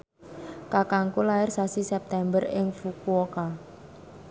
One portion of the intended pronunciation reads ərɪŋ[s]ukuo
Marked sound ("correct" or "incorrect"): incorrect